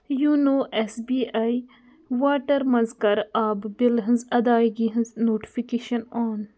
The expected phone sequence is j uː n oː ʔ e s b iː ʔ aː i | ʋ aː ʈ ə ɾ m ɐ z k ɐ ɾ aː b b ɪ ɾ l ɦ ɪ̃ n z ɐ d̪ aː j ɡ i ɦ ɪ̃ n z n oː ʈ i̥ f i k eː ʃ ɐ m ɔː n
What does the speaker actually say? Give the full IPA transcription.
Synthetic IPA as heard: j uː n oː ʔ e s b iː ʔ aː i | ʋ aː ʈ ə ɾ m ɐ z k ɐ ɾ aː b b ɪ l ɦ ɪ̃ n z ɐ d̪ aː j ɡ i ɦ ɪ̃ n z n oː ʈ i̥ f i k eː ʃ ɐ n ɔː n